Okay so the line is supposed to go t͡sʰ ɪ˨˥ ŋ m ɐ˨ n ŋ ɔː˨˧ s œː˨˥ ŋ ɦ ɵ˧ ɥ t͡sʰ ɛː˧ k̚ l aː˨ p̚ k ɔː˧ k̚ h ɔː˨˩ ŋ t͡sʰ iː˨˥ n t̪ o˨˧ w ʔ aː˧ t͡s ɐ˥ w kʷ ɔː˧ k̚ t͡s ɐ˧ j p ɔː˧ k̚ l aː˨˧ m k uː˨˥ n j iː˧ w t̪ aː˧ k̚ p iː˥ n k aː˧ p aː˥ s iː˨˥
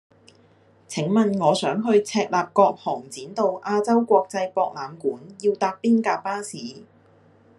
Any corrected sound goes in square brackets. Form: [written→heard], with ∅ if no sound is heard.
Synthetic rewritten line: t͡sʰ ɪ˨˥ ŋ m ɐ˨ n ŋ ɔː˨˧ s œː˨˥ ŋ ɦ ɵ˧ ɥ t͡sʰ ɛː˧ k̚ l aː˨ p̚ k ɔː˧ k̚ h ɔː˨˩ ŋ [t͡sʰ→t͡s] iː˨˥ n t̪ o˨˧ w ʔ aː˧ t͡s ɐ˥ w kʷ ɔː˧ k̚ t͡s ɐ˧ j p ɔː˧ k̚ l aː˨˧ m k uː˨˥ n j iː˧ w t̪ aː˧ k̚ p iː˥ n k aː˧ p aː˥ s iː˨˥